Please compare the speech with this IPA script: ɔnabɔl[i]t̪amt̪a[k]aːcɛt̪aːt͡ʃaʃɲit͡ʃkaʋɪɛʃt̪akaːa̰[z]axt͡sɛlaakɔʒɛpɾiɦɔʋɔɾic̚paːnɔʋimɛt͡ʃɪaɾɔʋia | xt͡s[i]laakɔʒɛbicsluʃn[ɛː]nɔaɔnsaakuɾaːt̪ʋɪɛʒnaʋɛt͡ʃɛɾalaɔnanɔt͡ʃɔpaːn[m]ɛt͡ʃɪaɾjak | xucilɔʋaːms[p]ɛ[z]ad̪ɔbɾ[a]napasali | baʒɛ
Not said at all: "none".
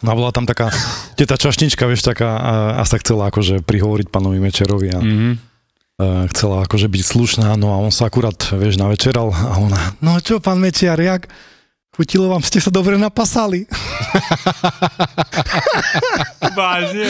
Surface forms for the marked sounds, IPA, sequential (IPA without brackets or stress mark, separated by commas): a, k, s, ɛ, aː, m, c, s, ɛ